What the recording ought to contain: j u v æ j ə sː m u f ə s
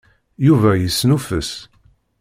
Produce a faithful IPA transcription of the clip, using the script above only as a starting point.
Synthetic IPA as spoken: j u v æ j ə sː n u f ə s